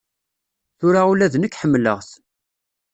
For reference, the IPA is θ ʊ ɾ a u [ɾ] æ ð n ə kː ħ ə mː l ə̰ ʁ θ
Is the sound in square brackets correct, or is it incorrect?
incorrect